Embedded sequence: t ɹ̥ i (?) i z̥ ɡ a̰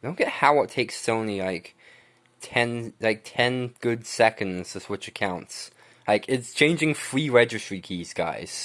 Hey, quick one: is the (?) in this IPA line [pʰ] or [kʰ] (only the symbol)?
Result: kʰ